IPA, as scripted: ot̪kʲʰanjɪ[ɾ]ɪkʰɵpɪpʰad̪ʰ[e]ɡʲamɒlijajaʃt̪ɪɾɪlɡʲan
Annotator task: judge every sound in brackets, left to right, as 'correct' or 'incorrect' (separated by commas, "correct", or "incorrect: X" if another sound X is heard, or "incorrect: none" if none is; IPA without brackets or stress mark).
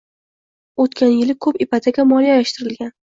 incorrect: l, incorrect: a